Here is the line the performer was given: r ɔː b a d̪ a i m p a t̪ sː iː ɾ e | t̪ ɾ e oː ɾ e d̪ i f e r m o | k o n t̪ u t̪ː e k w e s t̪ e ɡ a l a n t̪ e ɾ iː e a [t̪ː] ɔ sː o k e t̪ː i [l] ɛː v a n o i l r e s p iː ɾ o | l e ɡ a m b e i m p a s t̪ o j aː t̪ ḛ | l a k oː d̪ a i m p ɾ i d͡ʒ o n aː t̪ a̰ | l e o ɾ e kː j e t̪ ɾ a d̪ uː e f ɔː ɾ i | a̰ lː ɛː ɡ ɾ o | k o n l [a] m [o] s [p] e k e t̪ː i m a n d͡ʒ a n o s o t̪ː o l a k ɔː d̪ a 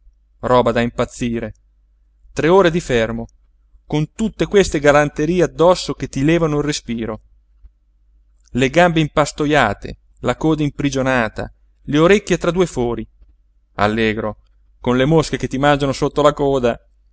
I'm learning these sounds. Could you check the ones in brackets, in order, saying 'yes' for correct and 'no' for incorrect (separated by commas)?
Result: no, yes, no, yes, no